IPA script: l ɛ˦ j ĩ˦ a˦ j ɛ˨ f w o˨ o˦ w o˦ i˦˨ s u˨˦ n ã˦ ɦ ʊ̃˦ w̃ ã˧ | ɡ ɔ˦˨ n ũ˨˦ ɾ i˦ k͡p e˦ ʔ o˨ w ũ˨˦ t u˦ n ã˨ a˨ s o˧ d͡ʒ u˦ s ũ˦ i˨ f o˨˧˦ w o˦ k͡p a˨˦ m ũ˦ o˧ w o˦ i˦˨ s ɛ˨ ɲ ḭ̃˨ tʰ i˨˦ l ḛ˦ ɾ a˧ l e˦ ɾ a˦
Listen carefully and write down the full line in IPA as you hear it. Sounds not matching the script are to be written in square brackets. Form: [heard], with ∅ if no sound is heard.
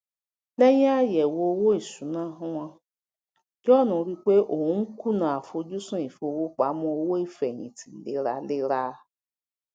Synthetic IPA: l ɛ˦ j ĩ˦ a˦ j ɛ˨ [∅] w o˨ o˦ w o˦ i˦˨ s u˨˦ n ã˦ ɦ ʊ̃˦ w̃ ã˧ | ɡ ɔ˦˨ n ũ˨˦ ɾ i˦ k͡p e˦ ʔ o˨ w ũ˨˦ [k] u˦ n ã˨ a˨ [f] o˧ d͡ʒ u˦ s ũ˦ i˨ f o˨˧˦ w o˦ k͡p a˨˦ m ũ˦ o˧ w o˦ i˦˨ [f] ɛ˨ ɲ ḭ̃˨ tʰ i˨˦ l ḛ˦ ɾ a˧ l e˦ ɾ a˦